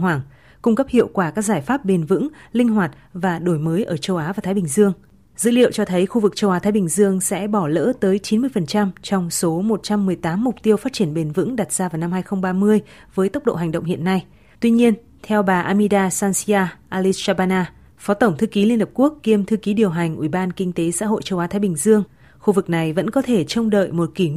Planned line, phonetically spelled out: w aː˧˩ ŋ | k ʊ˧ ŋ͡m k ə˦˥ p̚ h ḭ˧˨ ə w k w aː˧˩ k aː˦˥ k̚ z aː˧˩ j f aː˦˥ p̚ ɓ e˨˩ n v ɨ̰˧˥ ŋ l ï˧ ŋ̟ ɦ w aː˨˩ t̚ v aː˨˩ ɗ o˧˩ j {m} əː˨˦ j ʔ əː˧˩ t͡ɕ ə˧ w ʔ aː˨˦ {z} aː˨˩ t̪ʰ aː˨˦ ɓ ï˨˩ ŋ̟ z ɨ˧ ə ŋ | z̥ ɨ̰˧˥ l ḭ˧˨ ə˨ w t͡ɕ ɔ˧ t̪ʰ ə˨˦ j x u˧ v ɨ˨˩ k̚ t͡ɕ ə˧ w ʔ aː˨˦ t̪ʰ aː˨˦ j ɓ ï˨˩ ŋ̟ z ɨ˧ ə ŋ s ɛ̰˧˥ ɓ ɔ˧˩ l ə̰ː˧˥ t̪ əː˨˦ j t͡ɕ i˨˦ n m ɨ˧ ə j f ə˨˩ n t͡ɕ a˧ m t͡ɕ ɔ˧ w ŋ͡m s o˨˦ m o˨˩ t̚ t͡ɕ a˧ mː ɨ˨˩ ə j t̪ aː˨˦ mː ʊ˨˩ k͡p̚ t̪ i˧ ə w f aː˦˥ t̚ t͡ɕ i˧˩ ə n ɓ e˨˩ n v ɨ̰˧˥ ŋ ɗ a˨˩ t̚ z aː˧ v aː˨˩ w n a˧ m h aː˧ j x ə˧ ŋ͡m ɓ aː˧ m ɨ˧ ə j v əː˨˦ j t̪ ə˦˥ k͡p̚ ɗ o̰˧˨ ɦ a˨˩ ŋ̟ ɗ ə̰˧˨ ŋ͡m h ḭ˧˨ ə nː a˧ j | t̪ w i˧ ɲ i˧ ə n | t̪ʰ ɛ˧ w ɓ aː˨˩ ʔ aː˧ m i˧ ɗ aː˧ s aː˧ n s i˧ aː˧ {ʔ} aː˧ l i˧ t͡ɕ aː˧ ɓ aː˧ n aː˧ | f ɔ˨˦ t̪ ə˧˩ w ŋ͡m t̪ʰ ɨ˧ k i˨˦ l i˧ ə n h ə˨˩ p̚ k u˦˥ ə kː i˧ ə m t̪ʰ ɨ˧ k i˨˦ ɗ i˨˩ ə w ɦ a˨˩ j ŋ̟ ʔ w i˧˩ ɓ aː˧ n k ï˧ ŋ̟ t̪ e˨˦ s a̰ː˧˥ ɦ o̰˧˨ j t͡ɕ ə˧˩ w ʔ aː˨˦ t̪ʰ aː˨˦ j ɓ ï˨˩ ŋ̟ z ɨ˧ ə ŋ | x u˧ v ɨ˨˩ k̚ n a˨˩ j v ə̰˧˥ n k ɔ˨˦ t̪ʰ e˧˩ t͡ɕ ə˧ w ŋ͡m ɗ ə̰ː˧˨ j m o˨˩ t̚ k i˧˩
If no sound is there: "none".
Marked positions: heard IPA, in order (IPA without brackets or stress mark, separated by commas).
m, v, ʔ